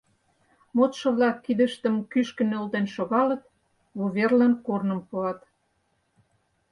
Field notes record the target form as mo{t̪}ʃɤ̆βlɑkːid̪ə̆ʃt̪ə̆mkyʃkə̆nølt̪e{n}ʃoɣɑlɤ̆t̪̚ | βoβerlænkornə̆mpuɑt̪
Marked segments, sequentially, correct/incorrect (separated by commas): correct, correct